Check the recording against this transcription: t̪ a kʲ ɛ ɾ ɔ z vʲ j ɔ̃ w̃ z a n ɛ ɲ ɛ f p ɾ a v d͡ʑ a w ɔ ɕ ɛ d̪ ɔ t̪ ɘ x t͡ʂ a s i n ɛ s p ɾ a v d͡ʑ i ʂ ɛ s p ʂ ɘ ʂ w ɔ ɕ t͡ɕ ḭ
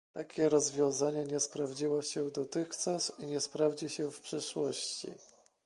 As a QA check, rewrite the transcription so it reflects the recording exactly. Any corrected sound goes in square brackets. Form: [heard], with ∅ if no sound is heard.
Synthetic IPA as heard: t̪ a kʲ ɛ ɾ ɔ z vʲ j ɔ̃ w̃ z a [ɲ] ɛ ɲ ɛ [s] p ɾ a v d͡ʑ [i] w ɔ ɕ ɛ d̪ ɔ t̪ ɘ x t͡ʂ a s i [ɲ] ɛ s p ɾ a v d͡ʑ i [ɕ] ɛ [f] p ʂ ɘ ʂ w ɔ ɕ t͡ɕ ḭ